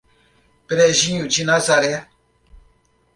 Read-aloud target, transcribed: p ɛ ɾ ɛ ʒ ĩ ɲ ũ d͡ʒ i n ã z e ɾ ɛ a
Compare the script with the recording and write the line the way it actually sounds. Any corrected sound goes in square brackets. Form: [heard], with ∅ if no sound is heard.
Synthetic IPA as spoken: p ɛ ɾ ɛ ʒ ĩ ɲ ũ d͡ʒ i n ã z [a] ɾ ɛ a